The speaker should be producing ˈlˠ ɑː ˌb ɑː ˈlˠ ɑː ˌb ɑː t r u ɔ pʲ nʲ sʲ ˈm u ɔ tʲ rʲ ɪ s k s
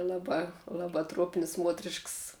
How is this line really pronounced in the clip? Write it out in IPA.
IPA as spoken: ˈlˠ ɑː ˌb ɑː ˈlˠ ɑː ˌb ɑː t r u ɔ pʲ nʲ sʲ ˈm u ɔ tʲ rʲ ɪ ʃ k s